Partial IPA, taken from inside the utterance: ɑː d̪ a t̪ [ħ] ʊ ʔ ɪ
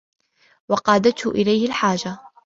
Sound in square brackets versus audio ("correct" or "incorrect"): incorrect